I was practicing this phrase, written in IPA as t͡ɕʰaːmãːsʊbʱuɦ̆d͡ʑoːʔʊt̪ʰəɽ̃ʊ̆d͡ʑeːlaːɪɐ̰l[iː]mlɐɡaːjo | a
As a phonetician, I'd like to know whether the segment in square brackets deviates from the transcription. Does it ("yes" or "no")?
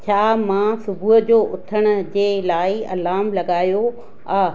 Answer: yes